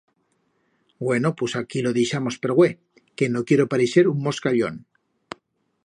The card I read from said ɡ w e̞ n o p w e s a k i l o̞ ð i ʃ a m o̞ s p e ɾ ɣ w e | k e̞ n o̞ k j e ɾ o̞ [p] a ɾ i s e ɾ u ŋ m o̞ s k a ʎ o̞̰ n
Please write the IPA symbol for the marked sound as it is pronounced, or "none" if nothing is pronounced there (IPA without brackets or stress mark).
p